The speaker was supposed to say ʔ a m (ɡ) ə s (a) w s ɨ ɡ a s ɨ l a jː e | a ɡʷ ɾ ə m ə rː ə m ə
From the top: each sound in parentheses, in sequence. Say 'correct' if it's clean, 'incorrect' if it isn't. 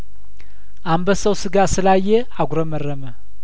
incorrect: b, incorrect: ə

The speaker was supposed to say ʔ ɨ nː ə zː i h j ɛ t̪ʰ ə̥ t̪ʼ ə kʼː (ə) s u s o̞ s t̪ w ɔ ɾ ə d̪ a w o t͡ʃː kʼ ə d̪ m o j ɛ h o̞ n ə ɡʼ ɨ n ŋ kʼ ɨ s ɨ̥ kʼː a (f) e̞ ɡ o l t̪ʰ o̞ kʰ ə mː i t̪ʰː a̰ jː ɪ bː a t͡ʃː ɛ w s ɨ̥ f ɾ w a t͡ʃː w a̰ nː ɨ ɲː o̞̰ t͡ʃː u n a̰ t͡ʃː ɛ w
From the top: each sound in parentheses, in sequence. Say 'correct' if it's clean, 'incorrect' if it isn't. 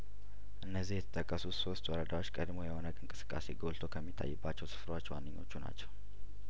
correct, incorrect: s

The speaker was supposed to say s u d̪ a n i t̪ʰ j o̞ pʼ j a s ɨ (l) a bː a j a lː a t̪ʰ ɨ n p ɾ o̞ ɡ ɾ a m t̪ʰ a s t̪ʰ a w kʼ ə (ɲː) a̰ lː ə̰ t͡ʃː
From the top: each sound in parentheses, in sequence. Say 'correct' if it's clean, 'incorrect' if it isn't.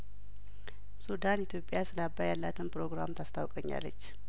correct, correct

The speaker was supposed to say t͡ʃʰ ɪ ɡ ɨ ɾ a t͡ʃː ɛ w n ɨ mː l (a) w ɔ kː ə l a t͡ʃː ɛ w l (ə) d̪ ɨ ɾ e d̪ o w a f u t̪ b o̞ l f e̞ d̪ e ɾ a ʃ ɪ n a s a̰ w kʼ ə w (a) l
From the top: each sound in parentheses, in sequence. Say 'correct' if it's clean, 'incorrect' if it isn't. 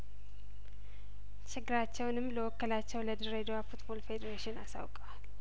incorrect: ə, correct, correct

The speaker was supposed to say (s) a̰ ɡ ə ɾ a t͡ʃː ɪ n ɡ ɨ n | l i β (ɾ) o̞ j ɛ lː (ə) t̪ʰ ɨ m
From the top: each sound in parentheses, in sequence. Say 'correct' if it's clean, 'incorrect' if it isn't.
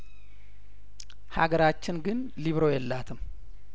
incorrect: h, correct, incorrect: a

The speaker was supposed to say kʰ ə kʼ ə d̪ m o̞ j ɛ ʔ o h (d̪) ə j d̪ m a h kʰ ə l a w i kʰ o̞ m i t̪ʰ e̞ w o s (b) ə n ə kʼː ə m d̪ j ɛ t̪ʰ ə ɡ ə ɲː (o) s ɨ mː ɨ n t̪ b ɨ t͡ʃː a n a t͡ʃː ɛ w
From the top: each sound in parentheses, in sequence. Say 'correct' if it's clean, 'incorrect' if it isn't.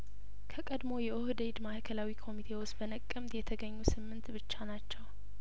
correct, correct, incorrect: u

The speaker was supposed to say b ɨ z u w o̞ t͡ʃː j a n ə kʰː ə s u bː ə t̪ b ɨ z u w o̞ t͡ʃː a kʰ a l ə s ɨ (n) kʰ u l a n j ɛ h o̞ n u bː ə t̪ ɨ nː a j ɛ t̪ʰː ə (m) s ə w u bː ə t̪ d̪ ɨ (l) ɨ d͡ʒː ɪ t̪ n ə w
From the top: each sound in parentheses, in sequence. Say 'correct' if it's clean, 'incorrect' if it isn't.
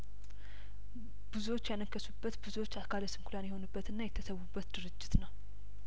incorrect: m, incorrect: none, incorrect: ɾ

